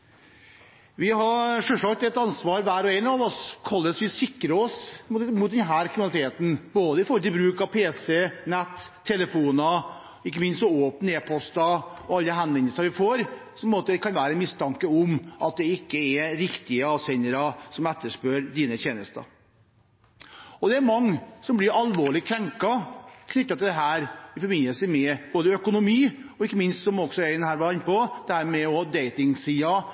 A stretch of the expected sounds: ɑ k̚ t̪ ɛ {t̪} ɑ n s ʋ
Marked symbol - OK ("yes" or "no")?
yes